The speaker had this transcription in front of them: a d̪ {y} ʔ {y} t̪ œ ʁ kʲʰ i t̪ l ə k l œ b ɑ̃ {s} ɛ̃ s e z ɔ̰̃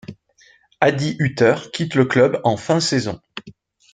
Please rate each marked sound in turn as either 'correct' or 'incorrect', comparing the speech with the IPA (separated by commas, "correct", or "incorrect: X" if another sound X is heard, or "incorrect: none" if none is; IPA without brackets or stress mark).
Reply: incorrect: i, correct, incorrect: f